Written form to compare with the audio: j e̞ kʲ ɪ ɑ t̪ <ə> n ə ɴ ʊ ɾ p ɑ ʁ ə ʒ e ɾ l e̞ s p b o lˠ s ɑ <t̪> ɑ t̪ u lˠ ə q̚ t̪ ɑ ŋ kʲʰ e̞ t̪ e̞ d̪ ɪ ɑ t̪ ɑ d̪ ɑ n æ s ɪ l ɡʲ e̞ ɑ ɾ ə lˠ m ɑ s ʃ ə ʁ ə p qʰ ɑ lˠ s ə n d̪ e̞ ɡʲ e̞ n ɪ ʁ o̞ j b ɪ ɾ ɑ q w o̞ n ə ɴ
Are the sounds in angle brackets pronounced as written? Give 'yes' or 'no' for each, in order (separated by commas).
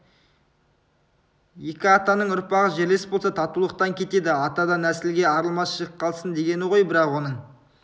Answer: no, no